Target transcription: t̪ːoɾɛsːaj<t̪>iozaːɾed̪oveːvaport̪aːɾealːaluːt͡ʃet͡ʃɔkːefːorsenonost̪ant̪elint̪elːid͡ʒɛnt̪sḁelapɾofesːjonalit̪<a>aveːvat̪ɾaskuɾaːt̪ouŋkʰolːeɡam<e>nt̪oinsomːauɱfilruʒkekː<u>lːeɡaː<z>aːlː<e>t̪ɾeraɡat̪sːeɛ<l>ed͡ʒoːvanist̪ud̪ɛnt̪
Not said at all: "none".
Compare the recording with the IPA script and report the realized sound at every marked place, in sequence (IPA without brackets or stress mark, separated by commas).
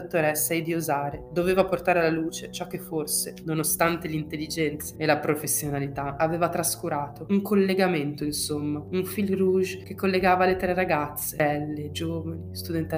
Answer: d̪, a, e, o, v, e, lː